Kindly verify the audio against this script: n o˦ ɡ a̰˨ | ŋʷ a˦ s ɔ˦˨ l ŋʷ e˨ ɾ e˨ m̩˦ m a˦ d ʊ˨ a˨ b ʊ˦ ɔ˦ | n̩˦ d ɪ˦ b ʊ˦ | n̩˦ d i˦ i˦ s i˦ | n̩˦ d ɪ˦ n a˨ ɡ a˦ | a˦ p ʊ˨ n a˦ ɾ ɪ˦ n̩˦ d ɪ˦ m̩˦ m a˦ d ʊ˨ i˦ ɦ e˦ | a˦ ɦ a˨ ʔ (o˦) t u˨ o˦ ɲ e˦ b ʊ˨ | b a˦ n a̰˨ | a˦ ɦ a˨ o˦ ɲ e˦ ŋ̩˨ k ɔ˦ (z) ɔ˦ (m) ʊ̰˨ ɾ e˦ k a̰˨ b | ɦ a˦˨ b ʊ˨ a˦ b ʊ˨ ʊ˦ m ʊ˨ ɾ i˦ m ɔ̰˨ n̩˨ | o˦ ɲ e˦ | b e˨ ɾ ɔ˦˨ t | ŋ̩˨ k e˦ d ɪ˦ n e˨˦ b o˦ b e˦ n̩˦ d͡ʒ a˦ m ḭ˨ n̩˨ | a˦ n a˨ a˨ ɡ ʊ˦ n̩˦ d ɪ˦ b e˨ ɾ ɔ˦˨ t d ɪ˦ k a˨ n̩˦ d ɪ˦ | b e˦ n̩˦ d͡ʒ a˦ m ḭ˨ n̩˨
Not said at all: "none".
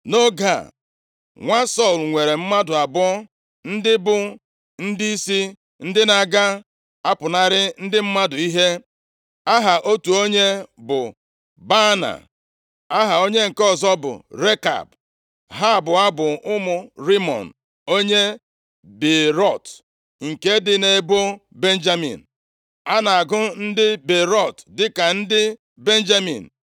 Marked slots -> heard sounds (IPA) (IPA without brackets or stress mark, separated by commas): o˦, z, b